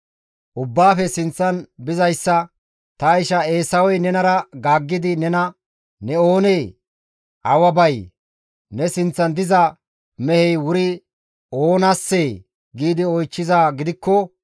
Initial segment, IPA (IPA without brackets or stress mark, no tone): ʔ